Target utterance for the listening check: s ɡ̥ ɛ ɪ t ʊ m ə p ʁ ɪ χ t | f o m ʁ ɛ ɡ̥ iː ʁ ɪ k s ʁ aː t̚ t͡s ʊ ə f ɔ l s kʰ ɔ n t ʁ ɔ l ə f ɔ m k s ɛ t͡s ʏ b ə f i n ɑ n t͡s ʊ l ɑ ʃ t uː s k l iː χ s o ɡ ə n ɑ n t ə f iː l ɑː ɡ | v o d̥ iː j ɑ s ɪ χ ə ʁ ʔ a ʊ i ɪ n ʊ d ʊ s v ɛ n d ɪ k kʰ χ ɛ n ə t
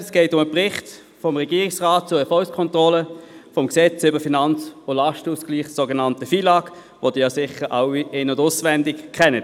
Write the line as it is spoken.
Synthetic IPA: s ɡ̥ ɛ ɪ t ʊ m ə p ʁ ɪ χ t | f ɔ m ʁ ɛ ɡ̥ iː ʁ ɪ k s ʁ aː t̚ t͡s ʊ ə f ɔ l s kʰ ɔ n t ʁ ɔ l ə f ɔ m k s ɛ t͡s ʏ b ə f i n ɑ n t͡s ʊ l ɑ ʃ t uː s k l iː χ s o ɡ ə n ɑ n t ə f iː l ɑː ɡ | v o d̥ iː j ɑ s ɪ χ ə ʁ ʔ a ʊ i ɪ n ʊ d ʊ s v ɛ n d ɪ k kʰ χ ɛ n ə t